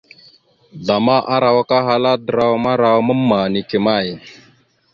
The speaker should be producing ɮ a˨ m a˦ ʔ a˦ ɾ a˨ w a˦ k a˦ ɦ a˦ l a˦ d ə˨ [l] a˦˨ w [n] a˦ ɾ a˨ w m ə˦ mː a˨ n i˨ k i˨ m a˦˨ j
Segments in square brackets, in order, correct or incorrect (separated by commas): incorrect, incorrect